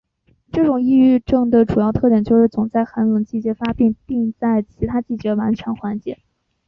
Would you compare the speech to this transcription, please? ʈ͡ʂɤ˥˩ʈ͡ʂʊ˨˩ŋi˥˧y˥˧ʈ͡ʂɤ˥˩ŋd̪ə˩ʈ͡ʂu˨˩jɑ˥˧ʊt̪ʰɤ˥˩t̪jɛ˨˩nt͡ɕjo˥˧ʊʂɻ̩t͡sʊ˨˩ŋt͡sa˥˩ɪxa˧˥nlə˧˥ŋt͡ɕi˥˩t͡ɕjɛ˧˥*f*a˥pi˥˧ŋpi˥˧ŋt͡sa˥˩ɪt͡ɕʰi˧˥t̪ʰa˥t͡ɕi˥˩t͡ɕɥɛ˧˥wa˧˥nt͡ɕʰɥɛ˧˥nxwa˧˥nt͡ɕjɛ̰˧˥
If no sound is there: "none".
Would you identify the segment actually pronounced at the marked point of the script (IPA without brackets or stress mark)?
f